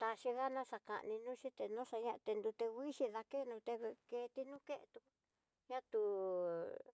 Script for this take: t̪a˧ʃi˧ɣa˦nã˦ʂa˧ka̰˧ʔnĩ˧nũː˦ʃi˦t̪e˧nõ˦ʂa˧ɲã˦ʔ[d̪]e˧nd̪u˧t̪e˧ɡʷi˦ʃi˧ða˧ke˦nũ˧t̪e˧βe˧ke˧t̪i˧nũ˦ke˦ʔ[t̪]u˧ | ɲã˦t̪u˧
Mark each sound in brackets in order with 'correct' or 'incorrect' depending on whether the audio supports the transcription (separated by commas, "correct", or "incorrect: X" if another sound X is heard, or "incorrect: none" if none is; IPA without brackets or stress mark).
incorrect: t̪, correct